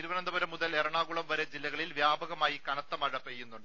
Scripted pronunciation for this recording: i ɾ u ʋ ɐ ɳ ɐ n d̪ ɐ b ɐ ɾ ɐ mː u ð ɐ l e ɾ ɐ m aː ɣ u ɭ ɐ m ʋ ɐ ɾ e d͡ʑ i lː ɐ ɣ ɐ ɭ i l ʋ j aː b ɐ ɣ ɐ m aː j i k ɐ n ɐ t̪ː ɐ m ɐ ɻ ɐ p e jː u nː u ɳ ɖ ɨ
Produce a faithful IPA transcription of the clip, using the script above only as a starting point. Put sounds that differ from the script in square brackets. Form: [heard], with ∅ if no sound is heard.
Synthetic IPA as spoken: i ɾ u ʋ ɐ [n] ɐ n d̪ ɐ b ɐ ɾ ɐ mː u ð ɐ l e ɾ ɐ [ɳ] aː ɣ u ɭ ɐ m ʋ ɐ ɾ e d͡ʑ i lː ɐ ɣ ɐ ɭ i l ʋ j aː b ɐ ɣ ɐ m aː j i k ɐ n ɐ t̪ː ɐ m ɐ ɻ ɐ p e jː u nː u ɳ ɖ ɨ

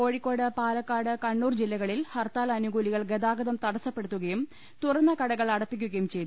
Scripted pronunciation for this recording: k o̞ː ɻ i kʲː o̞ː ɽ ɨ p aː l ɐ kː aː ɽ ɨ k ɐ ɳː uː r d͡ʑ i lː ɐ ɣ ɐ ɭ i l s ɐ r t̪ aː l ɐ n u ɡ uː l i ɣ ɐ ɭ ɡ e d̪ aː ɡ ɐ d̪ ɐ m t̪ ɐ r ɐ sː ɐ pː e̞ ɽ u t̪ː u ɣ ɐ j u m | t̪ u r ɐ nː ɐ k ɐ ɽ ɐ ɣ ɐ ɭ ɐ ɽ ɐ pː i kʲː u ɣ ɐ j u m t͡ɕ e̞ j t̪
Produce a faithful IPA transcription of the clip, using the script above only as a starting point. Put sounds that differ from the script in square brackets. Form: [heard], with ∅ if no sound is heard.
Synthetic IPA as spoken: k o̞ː ɻ i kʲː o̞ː ɽ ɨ p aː l ɐ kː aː ɽ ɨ k ɐ ɳː uː r d͡ʑ i lː ɐ ɣ ɐ ɭ i l [h] ɐ r t̪ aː l ɐ n u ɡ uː l i ɣ ɐ ɭ ɡ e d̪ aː ɡ ɐ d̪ ɐ m t̪ ɐ [ɽ] ɐ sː ɐ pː e̞ ɽ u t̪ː u ɣ ɐ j u m | t̪ u r ɐ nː ɐ k ɐ ɽ ɐ ɣ ɐ ɭ ɐ ɽ ɐ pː i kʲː u ɣ ɐ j u m t͡ɕ e̞ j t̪

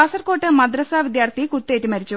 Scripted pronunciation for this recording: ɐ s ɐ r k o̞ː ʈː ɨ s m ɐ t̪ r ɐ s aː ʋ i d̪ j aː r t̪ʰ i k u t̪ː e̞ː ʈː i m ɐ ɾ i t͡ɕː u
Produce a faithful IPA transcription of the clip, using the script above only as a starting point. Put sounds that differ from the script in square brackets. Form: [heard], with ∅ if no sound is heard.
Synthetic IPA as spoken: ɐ s ɐ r k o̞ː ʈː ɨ [∅] m ɐ [d̪] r ɐ s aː ʋ i d̪ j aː r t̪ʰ i k u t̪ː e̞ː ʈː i m ɐ ɾ i t͡ɕː u

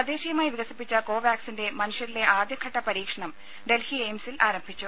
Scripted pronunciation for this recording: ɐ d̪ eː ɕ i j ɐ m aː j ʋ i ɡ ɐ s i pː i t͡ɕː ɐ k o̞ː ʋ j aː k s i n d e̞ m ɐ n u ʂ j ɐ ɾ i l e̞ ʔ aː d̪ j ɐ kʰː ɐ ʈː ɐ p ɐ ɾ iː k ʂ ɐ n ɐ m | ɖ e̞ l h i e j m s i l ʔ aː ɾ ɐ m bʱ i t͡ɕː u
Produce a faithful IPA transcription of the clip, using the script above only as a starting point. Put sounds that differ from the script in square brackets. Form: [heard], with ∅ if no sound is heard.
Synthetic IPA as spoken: ɐ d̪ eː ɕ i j ɐ m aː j ʋ i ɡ ɐ s i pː i t͡ɕː ɐ k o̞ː ʋ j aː k s i n d e̞ m ɐ n u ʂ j ɐ ɾ i l e̞ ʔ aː d̪ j ɐ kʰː ɐ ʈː ɐ p ɐ ɾ iː k ʂ ɐ [ɳ] ɐ m | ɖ e̞ l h i e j m s i l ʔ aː ɾ ɐ m bʱ i t͡ɕː u

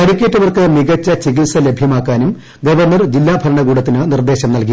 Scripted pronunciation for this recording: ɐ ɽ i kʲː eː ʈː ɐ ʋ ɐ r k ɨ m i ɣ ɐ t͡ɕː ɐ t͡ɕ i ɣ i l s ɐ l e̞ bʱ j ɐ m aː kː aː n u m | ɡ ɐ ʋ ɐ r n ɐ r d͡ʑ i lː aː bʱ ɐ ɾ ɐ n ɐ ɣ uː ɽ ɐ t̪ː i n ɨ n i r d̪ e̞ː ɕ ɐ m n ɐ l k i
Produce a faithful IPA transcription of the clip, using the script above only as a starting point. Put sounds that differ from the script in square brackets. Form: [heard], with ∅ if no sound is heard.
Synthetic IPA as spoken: ɐ ɽ i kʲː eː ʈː ɐ ʋ ɐ r k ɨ m i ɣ ɐ t͡ɕː ɐ t͡ɕ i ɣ i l s ɐ l e̞ bʱ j ɐ m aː kː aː n u m | ɡ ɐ ʋ ɐ r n ɐ r d͡ʑ i lː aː bʱ ɐ ɾ ɐ [ɳ] ɐ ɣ uː ɽ ɐ t̪ː i n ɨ n i r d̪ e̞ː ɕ ɐ m n ɐ l k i

